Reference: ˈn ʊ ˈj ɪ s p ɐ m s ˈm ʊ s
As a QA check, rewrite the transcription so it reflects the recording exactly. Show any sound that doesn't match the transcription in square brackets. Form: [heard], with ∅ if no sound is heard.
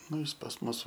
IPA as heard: ˈn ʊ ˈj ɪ s p ɐ [∅] s ˈm ʊ s